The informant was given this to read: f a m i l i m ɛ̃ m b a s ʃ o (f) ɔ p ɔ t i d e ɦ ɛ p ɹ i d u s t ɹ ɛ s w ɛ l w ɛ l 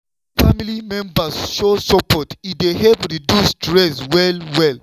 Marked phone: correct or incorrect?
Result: incorrect: s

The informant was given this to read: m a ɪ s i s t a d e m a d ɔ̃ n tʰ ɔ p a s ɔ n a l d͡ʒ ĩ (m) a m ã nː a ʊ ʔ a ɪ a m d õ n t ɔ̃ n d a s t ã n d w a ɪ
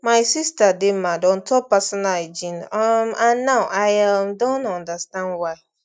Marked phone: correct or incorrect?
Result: incorrect: n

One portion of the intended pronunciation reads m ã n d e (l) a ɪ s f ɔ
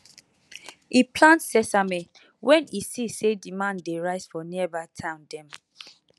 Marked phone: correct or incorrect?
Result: incorrect: ɹ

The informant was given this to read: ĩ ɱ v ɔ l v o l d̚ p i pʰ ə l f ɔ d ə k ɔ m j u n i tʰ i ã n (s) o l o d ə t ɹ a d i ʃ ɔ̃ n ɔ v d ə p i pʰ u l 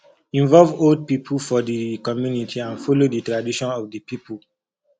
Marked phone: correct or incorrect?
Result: incorrect: f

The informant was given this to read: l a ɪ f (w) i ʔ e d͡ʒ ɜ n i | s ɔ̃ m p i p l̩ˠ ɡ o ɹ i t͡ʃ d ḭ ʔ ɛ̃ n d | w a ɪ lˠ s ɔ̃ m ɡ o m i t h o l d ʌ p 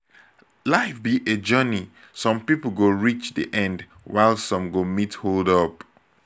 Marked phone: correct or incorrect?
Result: incorrect: b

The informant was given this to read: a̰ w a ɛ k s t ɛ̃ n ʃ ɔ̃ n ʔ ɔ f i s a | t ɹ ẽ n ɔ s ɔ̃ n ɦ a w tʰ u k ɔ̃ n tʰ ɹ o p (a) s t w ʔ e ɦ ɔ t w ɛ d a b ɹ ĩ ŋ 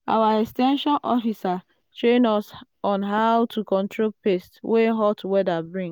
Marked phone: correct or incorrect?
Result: incorrect: e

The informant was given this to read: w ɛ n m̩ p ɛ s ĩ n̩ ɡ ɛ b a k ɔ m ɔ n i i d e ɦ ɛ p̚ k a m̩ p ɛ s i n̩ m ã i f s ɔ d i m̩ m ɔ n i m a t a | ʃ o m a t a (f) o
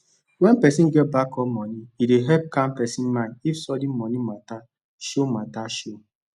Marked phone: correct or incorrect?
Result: incorrect: ʃ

